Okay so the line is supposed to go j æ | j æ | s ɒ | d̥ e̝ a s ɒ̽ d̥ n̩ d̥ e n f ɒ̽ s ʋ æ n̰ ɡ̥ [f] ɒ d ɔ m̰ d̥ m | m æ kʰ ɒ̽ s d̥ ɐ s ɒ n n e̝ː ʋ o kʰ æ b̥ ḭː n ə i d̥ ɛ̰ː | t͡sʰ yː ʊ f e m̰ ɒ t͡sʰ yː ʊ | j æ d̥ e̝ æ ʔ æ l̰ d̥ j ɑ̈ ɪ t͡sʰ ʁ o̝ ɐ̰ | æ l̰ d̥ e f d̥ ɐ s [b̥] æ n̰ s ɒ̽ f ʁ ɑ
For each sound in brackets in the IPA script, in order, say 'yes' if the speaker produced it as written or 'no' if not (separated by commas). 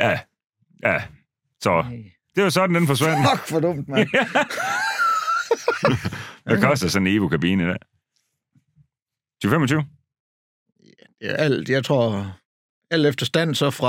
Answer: yes, no